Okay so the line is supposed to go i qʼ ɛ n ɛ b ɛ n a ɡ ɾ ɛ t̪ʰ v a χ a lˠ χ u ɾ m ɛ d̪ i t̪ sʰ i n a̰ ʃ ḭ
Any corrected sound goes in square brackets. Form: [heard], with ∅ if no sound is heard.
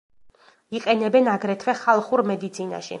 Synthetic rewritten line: i qʼ ɛ n ɛ b ɛ n a ɡ ɾ ɛ t̪ʰ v [ɛ] χ a lˠ χ u ɾ m ɛ d̪ i t̪ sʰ i n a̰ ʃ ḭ